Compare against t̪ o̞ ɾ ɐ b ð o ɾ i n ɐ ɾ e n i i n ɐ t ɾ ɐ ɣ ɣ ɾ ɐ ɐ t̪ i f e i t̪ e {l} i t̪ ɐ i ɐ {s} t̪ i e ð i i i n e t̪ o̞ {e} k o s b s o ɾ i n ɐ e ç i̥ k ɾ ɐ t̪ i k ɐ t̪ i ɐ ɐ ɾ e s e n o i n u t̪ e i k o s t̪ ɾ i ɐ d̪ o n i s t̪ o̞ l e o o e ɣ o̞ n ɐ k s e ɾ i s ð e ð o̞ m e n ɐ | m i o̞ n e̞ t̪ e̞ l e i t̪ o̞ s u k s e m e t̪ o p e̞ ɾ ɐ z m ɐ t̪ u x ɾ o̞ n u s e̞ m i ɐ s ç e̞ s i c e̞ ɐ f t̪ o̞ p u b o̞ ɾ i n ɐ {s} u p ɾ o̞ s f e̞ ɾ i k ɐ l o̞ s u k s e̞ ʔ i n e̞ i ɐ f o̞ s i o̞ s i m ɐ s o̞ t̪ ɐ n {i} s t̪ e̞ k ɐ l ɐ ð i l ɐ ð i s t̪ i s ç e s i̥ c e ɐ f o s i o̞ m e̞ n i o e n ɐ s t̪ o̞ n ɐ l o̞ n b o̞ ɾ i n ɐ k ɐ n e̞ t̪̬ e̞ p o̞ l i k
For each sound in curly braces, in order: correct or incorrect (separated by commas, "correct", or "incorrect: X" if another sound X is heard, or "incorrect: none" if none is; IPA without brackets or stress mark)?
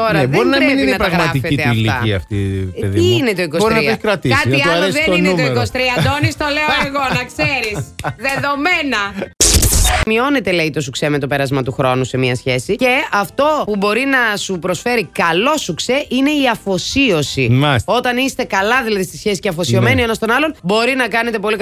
correct, incorrect: f, incorrect: i, correct, correct